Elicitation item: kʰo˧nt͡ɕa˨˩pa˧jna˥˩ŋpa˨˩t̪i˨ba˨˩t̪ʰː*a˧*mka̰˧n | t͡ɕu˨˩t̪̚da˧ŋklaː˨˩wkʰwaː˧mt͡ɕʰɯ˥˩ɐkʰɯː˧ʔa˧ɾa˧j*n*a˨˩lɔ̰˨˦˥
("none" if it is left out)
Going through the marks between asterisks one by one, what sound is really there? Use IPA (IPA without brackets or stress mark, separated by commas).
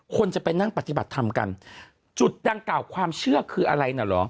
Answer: a˧, n